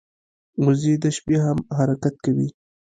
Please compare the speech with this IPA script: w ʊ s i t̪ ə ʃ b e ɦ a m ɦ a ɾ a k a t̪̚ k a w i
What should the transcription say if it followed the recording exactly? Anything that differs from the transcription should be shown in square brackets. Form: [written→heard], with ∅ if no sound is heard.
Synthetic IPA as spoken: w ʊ [s→z] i [t̪→d̪] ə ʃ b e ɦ a m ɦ a ɾ a k a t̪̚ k a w i